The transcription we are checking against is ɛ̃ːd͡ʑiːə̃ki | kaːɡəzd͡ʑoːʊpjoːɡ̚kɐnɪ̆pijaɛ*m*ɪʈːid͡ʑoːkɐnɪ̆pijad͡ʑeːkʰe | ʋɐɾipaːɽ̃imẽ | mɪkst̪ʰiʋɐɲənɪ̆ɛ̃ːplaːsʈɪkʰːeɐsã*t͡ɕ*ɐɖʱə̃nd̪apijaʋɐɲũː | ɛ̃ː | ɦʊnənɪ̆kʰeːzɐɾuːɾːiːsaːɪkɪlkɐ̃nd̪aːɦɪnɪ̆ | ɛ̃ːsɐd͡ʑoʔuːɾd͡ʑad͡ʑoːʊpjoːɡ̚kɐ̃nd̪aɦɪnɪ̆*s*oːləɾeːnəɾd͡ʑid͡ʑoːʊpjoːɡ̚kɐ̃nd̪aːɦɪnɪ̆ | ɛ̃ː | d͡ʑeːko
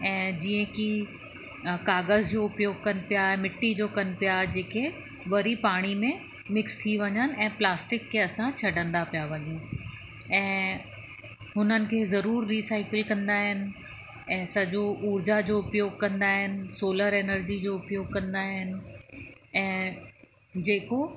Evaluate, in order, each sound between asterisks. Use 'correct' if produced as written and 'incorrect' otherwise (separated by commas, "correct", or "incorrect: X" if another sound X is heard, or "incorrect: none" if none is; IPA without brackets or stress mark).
correct, incorrect: t͡ɕʰ, correct